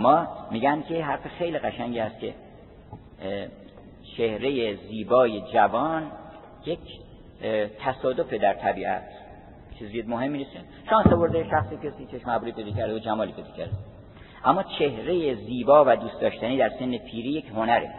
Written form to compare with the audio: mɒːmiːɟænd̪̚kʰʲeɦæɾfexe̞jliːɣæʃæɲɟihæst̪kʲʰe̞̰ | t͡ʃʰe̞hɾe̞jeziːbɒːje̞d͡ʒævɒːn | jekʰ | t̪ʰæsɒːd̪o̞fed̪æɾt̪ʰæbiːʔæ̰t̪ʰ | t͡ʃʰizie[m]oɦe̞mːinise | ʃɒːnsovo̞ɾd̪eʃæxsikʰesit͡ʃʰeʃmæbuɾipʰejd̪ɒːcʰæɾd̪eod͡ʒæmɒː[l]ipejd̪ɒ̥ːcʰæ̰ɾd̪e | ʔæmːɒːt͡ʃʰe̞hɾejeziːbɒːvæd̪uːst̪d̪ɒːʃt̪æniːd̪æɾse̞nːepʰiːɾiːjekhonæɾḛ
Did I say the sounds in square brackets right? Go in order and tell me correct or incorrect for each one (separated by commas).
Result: correct, correct